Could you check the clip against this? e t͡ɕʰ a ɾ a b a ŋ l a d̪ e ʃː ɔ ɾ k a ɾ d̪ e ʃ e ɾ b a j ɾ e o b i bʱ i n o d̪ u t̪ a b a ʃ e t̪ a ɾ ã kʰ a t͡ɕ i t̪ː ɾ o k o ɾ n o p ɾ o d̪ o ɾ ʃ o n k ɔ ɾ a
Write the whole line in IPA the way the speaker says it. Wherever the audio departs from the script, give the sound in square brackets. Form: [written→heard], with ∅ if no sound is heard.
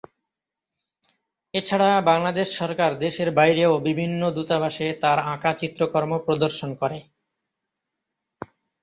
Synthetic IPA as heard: e t͡ɕʰ a [ɾ→ɽ] a b a ŋ l a d̪ e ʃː ɔ ɾ k a ɾ d̪ e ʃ e ɾ b a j ɾ e o b i bʱ i [n→nː] o d̪ u t̪ a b a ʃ e t̪ a ɾ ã [kʰ→k] a t͡ɕ i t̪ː ɾ o k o ɾ [n→m] o p ɾ o d̪ o ɾ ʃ o n k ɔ ɾ [a→e]